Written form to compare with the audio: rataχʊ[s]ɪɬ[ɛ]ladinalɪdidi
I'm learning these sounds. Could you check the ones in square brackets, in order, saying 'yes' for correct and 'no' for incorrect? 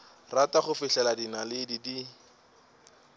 no, yes

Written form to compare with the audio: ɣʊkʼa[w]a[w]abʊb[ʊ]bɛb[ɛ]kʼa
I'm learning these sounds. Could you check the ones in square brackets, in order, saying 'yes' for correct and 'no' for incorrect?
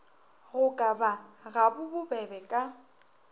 no, no, yes, yes

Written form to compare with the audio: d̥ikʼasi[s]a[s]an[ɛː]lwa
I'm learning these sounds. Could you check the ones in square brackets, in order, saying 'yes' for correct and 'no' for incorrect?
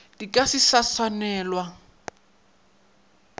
yes, yes, yes

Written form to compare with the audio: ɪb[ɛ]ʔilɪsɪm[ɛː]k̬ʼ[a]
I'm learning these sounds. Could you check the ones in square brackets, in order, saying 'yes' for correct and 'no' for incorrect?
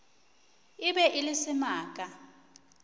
yes, no, yes

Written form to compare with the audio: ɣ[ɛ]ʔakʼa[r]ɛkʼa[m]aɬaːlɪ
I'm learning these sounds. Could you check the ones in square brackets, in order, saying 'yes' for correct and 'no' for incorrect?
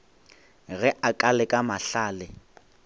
yes, no, yes

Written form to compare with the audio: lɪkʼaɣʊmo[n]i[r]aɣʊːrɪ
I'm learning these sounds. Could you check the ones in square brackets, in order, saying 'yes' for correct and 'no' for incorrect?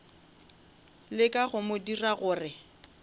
no, yes

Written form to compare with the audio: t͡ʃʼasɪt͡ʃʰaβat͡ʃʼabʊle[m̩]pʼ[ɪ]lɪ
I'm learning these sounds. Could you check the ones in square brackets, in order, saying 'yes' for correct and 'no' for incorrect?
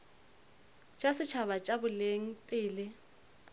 no, no

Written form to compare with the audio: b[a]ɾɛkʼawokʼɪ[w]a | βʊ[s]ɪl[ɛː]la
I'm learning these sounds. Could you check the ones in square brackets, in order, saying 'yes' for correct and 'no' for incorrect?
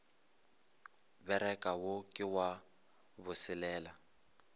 no, yes, yes, yes

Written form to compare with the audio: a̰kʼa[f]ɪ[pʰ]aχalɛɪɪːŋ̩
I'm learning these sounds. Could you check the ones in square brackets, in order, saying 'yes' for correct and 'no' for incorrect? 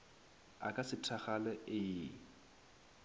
no, no

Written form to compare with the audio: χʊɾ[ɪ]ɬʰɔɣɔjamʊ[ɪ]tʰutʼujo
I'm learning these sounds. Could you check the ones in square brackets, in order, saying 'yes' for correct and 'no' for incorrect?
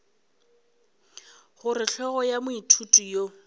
yes, no

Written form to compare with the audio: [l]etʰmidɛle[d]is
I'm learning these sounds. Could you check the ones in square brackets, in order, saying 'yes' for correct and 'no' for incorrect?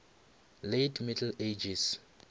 yes, no

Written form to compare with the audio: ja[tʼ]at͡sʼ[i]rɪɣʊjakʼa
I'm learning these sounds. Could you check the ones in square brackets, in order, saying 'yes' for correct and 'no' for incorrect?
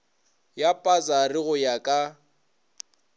no, no

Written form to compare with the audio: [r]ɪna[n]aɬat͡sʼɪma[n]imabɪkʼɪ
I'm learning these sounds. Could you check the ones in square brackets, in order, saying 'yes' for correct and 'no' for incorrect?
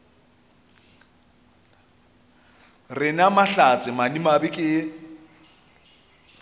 yes, no, yes

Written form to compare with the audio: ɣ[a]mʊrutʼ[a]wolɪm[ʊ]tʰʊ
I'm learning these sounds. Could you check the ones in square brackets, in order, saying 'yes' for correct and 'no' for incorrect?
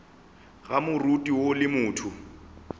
yes, no, no

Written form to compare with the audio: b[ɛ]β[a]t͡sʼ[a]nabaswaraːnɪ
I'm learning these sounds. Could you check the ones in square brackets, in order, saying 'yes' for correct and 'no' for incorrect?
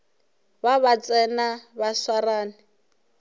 no, yes, no

